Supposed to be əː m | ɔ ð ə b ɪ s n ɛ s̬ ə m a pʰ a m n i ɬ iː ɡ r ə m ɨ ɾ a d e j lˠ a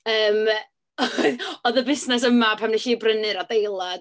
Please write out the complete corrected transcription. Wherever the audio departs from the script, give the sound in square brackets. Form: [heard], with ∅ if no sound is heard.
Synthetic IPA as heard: əː m | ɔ ð ə b ɪ s n ɛ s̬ ə m a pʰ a m n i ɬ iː [b] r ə [n] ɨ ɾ a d e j lˠ a